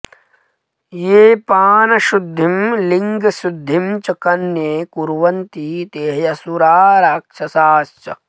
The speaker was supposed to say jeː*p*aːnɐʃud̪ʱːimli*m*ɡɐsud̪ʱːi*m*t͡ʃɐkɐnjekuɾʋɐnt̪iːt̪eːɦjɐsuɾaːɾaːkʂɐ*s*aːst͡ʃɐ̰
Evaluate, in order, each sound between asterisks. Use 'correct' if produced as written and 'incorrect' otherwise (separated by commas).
correct, incorrect, correct, correct